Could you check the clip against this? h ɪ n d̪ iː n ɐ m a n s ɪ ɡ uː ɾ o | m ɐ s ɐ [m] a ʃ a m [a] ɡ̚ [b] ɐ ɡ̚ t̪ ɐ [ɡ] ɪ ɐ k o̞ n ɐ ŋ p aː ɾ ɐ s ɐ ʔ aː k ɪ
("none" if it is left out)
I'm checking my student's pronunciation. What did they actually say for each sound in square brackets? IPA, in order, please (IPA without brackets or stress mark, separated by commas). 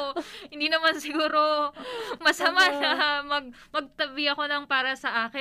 m, ɐ, m, b